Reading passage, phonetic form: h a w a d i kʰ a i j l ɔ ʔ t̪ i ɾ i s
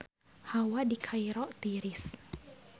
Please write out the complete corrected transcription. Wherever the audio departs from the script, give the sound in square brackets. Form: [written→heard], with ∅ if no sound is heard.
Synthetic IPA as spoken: h a w a d i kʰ a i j [l→ɾ] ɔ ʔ t̪ i ɾ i s